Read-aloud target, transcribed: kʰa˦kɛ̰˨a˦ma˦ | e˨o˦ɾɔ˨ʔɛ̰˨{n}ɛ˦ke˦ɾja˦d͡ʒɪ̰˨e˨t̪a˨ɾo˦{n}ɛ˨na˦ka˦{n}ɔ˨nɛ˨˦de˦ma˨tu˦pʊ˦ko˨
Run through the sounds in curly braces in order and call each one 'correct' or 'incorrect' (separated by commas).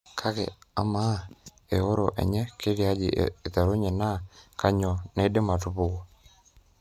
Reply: incorrect, incorrect, incorrect